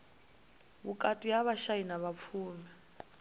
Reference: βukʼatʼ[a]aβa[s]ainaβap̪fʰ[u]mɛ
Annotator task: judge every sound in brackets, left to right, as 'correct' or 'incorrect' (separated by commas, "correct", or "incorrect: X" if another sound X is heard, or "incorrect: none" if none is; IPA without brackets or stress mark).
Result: incorrect: i, incorrect: ʃ, incorrect: uː